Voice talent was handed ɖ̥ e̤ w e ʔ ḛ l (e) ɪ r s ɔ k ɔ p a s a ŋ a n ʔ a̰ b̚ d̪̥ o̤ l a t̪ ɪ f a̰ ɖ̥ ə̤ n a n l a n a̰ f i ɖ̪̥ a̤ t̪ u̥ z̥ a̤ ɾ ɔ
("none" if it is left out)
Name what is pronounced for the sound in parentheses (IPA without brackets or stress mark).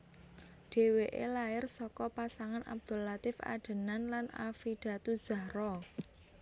a